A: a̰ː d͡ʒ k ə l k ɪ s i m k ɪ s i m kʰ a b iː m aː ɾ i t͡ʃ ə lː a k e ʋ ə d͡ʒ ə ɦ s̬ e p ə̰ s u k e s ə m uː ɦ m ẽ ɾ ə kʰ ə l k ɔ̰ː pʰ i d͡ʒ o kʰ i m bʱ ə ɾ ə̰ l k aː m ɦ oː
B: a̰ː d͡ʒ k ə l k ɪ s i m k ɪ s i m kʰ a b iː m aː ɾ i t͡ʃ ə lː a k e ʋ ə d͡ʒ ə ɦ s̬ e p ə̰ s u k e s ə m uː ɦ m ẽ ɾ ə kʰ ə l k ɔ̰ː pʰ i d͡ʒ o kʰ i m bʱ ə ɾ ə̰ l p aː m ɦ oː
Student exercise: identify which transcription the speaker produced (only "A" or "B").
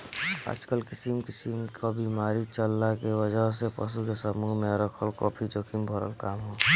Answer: A